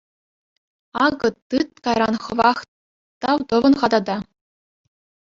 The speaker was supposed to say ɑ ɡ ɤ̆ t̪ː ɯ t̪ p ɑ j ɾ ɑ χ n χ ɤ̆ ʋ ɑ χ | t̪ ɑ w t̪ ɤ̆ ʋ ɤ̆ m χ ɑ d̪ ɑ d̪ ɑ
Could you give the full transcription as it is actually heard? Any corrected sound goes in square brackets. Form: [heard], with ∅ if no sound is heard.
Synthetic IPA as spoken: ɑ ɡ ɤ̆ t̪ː ɯ t̪ [k] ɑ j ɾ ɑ [∅] n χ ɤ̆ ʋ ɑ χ | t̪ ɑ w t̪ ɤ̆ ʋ ɤ̆ [n] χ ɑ d̪ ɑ d̪ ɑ

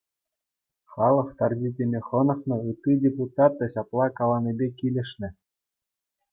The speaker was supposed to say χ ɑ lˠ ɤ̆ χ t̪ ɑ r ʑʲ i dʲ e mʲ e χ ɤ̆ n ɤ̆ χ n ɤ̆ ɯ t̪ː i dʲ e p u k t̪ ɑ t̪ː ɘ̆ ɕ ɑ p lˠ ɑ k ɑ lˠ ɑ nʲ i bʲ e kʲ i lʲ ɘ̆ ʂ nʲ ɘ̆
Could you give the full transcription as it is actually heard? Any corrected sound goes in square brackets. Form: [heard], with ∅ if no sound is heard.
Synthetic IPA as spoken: χ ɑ lˠ ɤ̆ χ t̪ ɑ r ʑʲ i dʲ e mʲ e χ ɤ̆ n ɤ̆ χ n ɤ̆ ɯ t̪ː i dʲ e p u [∅] t̪ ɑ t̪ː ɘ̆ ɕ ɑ p lˠ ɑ k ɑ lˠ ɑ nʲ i bʲ e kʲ i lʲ ɘ̆ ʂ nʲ ɘ̆

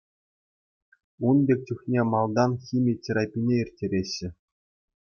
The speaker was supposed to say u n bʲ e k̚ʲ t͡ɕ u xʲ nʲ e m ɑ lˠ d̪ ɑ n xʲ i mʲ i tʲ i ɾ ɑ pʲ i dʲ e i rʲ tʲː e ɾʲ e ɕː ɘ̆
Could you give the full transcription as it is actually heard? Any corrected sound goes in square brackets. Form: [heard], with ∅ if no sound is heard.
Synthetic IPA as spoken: u n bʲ e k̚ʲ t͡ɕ u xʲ nʲ e m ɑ lˠ d̪ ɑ n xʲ i mʲ i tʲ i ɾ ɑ pʲ i [nʲ] e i rʲ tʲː e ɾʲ e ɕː ɘ̆

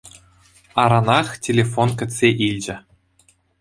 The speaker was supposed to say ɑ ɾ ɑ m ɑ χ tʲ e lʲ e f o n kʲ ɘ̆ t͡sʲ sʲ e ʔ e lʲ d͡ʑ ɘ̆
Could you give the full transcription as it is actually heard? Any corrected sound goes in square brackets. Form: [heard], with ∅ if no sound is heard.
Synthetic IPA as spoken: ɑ ɾ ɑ [n] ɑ χ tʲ e lʲ e f o n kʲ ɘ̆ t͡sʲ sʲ e ʔ [i] lʲ d͡ʑ ɘ̆

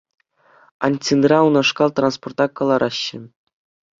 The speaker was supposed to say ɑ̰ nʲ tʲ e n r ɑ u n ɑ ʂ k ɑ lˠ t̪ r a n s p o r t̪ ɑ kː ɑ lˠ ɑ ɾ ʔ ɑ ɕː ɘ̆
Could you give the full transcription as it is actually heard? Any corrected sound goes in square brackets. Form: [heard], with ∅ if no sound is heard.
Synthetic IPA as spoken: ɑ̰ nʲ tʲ [i] n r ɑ u n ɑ ʂ k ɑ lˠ t̪ r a n s p o r t̪ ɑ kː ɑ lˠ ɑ ɾ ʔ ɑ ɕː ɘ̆

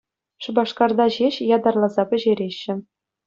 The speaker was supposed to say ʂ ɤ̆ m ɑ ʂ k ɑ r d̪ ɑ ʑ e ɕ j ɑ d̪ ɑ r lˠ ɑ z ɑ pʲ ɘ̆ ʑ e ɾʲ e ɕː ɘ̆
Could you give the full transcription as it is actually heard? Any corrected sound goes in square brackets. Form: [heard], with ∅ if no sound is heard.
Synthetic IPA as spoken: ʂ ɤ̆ [b] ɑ ʂ k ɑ r d̪ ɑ ʑ e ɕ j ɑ d̪ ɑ r lˠ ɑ z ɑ pʲ ɘ̆ ʑ e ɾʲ e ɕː ɘ̆

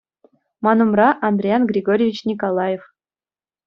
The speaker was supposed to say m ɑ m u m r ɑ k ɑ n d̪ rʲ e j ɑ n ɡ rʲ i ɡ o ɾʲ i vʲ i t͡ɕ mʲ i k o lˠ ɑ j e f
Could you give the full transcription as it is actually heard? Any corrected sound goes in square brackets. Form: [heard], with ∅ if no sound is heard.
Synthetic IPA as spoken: m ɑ [n] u m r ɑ [ʔ] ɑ n d̪ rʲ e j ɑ n ɡ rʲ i ɡ o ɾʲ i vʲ i t͡ɕ [nʲ] i k o lˠ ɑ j e f

